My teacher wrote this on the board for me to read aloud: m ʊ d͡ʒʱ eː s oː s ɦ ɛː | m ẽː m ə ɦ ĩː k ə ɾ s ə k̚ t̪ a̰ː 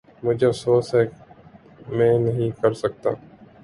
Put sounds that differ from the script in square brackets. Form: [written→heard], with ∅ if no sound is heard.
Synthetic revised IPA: m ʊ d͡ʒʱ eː s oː s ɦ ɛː | m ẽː [m→n] ə ɦ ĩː k ə ɾ s ə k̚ t̪ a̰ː